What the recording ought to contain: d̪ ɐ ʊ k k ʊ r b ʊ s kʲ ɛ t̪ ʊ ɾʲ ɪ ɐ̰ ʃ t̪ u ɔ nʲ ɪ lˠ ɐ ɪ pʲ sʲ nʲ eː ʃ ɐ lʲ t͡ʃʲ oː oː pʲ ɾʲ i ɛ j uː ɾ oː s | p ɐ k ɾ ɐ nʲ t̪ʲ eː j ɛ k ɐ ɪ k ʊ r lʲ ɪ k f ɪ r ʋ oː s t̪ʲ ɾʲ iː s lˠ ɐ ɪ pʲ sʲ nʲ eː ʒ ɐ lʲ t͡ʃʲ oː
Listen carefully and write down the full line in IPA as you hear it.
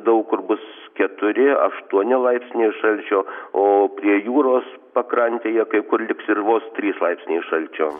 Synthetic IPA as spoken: d̪ ɐ ʊ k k ʊ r b ʊ s kʲ ɛ t̪ ʊ ɾʲ ɪ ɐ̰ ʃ t̪ u ɔ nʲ ɪ lˠ ɐ ɪ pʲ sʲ nʲ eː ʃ ɐ lʲ t͡ʃʲ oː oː pʲ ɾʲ i ɛ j uː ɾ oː s | p ɐ k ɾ ɐ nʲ t̪ʲ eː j ɛ k ɐ ɪ k ʊ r lʲ ɪ k s ɪ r ʋ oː s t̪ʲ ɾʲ iː s lˠ ɐ ɪ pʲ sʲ nʲ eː ʃ ɐ lʲ t͡ʃʲ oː

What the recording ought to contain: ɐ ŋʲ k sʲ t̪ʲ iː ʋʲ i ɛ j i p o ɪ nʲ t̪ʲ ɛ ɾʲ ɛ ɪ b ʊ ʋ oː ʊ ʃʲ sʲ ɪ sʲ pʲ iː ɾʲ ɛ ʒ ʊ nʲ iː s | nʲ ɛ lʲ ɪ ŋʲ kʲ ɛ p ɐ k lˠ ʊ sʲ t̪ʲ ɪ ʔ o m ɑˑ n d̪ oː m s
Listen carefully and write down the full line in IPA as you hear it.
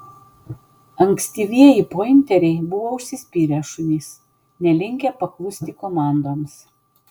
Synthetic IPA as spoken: ɐ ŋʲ k sʲ t̪ʲ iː ʋʲ i ɛ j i p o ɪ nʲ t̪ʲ ɛ ɾʲ ɛ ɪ b ʊ ʋ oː ʊ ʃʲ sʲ ɪ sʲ pʲ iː ɾʲ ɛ ʃ ʊ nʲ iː s | nʲ ɛ lʲ ɪ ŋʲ kʲ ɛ p ɐ k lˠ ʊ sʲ t̪ʲ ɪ k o m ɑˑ n d̪ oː m s

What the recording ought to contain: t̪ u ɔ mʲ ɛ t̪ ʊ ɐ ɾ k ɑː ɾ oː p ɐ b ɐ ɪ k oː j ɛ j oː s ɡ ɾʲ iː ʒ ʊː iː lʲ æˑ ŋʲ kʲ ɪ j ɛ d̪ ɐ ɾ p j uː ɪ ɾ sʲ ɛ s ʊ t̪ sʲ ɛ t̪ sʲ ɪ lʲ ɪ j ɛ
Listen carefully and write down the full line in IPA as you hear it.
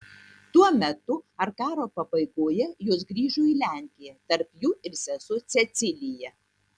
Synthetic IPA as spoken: t̪ u ɔ mʲ ɛ t̪ ʊ ɐ ɾ k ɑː ɾ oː p ɐ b ɐ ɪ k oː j ɛ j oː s ɡ ɾʲ iː ʒ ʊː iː lʲ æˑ ŋʲ kʲ ɪ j ɛ t̪ ɐ ɾ p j uː ɪ ɾ sʲ ɛ s ʊ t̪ sʲ ɛ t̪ sʲ ɪ lʲ ɪ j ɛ

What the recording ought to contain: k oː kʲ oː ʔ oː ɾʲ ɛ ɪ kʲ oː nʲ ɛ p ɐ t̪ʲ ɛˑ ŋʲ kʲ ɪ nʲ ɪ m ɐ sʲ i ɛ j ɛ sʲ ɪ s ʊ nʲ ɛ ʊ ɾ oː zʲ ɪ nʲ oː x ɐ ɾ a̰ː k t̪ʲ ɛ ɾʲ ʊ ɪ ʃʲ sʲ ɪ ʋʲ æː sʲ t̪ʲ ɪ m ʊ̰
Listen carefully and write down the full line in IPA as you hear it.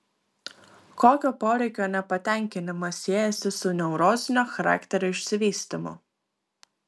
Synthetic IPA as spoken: k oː kʲ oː p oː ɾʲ ɛ ɪ kʲ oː nʲ ɛ p ɐ t̪ʲ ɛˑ ŋʲ kʲ ɪ nʲ ɪ m ɐ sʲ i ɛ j ɛ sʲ ɪ s ʊ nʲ ɛ ʊ ɾ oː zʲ ɪ nʲ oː x ɐ ɾ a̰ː k t̪ʲ ɛ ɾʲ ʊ ɪ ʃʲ sʲ ɪ ʋʲ iː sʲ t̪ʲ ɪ m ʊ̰

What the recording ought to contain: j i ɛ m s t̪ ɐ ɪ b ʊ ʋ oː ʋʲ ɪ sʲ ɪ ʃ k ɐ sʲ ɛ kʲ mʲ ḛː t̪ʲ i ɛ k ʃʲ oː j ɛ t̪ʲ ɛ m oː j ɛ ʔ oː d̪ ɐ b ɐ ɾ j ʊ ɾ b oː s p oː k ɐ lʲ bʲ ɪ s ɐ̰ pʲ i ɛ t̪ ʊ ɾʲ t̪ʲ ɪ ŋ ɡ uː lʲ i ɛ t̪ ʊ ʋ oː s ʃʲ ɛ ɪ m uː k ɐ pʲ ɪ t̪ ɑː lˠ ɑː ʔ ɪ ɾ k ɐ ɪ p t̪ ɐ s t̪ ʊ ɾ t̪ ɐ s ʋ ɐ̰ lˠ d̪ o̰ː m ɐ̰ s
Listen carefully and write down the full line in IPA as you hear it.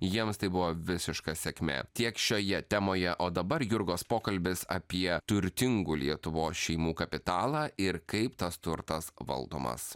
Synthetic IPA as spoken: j i ɛ m s t̪ ɐ ɪ b ʊ ʋ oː ʋʲ ɪ sʲ ɪ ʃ k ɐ sʲ ɛ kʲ mʲ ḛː t̪ʲ i ɛ k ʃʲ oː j ɛ t̪ʲ ɛ m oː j ɛ ʔ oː d̪ ɐ b ɐ ɾ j ʊ ɾ ɡ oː s p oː k ɐ lʲ bʲ ɪ s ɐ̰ pʲ i ɛ t̪ ʊ ɾʲ t̪ʲ ɪ ŋ ɡ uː lʲ i ɛ t̪ ʊ ʋ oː s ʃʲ ɛ ɪ m uː k ɐ pʲ ɪ t̪ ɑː lˠ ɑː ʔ ɪ ɾ k ɐ ɪ p t̪ ɐ s t̪ ʊ ɾ t̪ ɐ s ʋ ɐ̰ lˠ d̪ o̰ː m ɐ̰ s

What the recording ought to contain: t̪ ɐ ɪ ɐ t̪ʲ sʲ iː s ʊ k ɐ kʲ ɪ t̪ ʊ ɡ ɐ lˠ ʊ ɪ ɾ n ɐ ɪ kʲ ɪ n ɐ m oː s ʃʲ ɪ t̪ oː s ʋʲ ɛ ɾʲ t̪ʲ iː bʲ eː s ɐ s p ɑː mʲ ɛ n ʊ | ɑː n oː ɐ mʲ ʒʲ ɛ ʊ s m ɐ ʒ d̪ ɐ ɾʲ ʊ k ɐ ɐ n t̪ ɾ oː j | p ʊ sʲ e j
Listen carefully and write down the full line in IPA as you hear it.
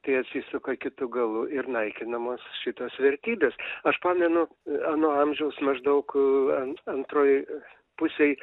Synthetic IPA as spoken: t̪ ɐ ɪ ɐ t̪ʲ sʲ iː s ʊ k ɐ kʲ ɪ t̪ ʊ ɡ ɐ lˠ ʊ ɪ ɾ n ɐ ɪ kʲ ɪ n ɐ m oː s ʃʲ ɪ t̪ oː s ʋʲ ɛ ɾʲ t̪ʲ iː bʲ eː s ɐ ʃ p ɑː mʲ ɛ n ʊ | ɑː n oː ɐ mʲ ʒʲ ɛ ʊ s m ɐ ʒ d̪ ɐ ʊ k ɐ ɐ n t̪ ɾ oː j | p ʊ sʲ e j

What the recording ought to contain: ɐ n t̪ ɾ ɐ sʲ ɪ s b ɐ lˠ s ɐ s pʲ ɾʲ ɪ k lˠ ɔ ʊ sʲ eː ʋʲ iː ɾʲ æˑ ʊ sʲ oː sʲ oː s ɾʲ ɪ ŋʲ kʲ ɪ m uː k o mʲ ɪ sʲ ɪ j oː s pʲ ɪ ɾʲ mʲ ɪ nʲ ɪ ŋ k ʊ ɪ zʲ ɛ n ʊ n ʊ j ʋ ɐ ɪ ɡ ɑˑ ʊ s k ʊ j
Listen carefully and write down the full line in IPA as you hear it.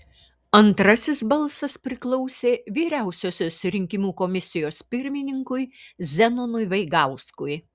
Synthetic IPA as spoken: ɐ n t̪ ɾ ɐ sʲ ɪ s b ɐ lˠ s ɐ s pʲ ɾʲ ɪ k lˠ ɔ ʊ sʲ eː ʋʲ iː ɾʲ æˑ ʊ sʲ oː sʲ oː s ɾʲ ɪ ŋʲ kʲ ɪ m uː k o mʲ ɪ sʲ ɪ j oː s pʲ ɪ ɾʲ mʲ ɪ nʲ ɪ ŋ k ʊ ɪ zʲ ɛ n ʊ n ʊ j ʋ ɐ ɪ ɡ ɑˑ ʊ s k ʊ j

